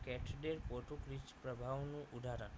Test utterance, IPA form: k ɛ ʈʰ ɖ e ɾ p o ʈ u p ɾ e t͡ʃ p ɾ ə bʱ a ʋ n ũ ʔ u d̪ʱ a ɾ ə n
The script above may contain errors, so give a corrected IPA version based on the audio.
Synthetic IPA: k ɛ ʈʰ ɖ e ɾ p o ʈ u k ɾ i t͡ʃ p ɾ ə bʱ a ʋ n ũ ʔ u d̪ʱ a ɾ ə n